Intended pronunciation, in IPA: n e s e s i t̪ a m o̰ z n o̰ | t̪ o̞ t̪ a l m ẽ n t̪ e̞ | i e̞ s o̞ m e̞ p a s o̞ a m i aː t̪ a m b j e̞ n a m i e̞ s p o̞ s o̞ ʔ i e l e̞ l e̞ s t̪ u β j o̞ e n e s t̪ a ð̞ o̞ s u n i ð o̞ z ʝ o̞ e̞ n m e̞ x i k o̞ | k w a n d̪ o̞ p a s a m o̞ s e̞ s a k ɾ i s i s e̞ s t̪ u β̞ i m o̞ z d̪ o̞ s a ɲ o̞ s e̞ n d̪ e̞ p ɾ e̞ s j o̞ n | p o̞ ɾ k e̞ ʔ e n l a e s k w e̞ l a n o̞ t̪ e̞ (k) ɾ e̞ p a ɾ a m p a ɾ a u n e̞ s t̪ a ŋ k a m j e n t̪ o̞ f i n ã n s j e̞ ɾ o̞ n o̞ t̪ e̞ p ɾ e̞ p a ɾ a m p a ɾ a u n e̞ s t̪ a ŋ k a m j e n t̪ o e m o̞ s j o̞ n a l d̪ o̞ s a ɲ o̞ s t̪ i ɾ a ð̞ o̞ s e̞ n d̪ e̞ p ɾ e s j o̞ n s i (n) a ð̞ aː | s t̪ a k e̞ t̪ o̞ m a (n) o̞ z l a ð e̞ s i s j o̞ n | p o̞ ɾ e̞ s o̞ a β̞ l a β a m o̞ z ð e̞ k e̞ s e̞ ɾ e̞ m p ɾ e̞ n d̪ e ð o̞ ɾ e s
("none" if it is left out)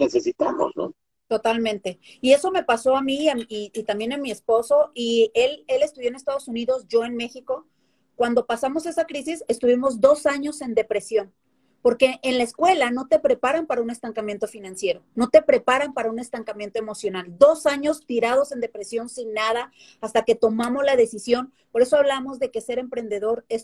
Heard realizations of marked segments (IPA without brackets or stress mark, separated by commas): p, nː, m